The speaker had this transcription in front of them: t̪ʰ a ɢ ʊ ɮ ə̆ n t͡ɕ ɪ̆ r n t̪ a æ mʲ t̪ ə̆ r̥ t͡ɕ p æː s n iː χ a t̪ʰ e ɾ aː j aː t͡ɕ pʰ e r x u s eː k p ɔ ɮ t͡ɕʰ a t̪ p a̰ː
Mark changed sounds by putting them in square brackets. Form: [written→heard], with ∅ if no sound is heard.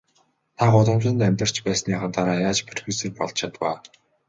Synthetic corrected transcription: t̪ʰ a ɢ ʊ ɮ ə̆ [n→m] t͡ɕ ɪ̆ [r→∅] n t̪ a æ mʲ t̪ ə̆ r̥ t͡ɕ p æː s n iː χ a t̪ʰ [e→a] ɾ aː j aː t͡ɕ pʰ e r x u s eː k p ɔ ɮ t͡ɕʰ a t̪ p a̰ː